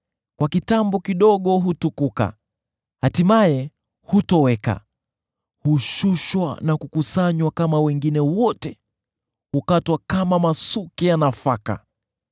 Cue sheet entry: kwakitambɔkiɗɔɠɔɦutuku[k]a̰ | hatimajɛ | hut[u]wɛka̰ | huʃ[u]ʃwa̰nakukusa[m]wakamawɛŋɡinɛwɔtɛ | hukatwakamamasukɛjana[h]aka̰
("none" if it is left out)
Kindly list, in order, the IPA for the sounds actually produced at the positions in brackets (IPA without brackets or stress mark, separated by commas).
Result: k, ɔ, u, ɲ, f